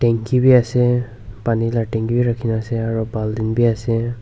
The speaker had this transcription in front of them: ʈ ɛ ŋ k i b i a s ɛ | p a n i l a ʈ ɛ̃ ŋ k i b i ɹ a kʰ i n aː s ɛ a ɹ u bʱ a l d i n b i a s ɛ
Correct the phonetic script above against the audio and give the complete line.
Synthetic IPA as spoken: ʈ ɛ ŋ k i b i a s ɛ | p a n i l a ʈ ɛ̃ ŋ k i b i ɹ a kʰ i n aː s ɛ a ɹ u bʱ a l d i n b i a s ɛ